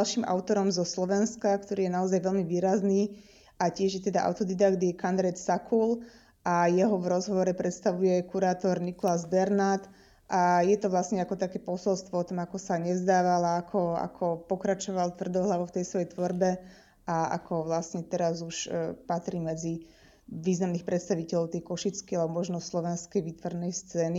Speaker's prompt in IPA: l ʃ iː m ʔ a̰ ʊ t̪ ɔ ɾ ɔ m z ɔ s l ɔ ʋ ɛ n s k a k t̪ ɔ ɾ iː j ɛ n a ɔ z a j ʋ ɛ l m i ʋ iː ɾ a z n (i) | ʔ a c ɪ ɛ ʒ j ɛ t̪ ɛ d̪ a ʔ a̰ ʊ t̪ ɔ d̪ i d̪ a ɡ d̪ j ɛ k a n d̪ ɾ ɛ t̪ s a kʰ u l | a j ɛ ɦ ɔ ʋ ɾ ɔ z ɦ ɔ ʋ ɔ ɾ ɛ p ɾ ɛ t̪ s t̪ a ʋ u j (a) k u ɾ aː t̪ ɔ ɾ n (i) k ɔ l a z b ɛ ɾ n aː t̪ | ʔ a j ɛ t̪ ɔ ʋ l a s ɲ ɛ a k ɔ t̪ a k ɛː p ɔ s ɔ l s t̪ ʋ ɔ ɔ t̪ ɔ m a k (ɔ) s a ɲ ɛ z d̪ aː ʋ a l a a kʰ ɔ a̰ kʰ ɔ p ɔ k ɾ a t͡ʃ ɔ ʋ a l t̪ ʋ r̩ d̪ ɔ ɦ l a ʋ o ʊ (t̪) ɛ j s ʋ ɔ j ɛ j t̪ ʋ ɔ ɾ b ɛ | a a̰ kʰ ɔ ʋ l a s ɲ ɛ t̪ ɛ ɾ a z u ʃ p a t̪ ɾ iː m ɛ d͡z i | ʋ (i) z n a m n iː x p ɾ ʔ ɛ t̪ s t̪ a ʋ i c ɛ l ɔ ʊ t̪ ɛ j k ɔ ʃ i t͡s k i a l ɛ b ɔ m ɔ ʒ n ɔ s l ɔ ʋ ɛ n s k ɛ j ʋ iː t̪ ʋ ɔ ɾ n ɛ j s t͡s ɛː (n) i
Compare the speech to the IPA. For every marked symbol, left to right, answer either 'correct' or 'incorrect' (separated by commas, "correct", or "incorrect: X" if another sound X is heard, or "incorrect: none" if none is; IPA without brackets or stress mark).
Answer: incorrect: iː, incorrect: ɛ, correct, correct, correct, incorrect: iː, correct